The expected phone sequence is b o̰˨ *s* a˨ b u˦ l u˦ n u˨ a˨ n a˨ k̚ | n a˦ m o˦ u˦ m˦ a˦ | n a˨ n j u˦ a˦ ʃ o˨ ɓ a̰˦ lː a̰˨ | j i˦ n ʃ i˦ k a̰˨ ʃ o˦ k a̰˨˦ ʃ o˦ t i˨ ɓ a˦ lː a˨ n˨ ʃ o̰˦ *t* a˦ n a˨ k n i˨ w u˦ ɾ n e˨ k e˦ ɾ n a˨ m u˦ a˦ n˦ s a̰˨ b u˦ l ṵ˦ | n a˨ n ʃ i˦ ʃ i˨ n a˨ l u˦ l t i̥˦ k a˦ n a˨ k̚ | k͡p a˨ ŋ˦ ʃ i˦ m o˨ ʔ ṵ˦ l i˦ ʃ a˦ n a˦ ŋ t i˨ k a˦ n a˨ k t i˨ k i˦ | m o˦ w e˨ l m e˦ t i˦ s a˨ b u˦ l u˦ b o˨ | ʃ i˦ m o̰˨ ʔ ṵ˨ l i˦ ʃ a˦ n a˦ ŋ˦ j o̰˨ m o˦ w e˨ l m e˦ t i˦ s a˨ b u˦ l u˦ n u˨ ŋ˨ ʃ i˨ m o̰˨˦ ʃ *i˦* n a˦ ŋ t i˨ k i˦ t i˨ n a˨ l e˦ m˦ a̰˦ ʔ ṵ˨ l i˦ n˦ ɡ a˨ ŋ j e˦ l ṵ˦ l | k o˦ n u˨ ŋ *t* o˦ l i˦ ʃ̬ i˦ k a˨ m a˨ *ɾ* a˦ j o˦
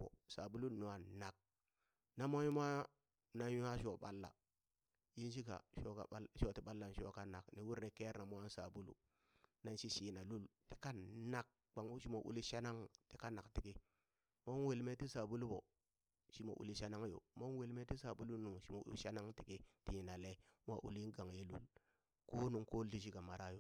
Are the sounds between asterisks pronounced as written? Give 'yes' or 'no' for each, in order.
yes, no, no, no, yes

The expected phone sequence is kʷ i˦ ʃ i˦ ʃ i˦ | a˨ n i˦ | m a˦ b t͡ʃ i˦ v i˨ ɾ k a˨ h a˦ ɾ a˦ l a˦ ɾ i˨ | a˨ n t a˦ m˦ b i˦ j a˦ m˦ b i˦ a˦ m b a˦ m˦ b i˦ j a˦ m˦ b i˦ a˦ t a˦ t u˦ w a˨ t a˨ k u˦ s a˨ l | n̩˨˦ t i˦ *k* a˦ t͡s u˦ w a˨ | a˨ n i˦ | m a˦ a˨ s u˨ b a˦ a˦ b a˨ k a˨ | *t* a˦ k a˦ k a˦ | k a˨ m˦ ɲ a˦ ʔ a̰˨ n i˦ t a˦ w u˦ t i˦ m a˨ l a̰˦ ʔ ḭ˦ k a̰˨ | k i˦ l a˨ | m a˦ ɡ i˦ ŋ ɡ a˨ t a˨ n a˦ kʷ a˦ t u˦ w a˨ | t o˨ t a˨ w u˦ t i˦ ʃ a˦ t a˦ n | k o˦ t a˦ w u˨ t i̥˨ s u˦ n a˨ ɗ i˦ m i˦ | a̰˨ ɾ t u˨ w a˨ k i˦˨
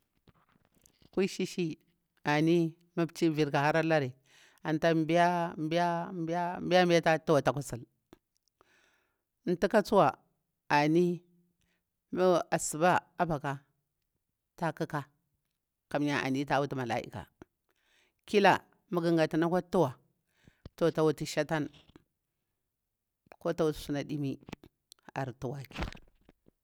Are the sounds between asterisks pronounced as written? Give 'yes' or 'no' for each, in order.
yes, yes

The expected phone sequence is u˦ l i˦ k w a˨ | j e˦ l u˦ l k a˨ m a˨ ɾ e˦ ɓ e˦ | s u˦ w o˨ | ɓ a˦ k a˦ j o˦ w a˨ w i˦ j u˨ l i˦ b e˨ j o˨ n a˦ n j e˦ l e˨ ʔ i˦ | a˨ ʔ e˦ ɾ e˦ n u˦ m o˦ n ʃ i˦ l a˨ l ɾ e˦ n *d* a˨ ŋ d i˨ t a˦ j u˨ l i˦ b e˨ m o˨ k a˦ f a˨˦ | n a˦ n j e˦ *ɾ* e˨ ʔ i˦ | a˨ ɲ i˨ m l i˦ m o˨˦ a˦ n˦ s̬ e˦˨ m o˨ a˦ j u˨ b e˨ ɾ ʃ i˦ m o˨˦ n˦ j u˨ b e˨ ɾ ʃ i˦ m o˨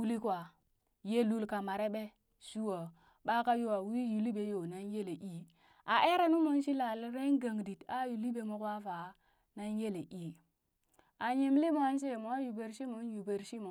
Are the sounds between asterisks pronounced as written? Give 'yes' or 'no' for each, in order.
no, no

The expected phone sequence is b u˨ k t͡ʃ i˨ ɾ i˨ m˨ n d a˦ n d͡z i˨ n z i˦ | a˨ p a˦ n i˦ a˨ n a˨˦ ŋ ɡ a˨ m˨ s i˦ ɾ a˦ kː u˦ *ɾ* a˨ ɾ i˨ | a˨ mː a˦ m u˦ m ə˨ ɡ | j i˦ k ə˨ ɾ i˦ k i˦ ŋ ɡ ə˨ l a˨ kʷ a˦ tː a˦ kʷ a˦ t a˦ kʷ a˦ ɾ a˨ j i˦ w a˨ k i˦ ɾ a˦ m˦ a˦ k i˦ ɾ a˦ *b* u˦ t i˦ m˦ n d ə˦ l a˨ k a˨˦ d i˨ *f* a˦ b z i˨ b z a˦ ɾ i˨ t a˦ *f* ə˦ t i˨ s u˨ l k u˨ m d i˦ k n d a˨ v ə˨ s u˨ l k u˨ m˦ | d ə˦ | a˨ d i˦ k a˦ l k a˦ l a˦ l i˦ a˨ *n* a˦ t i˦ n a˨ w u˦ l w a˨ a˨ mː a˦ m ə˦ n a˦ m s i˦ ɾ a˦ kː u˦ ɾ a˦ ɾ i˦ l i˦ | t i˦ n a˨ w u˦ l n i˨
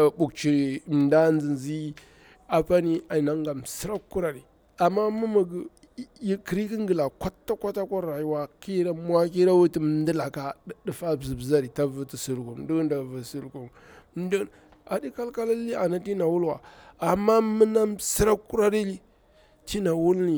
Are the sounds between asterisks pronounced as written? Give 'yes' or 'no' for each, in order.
yes, no, yes, no, yes

